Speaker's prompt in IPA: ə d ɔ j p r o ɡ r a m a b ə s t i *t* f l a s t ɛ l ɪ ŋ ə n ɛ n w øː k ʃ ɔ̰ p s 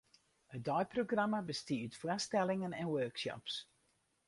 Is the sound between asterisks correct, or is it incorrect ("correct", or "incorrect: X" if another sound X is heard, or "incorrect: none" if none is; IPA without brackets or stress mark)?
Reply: correct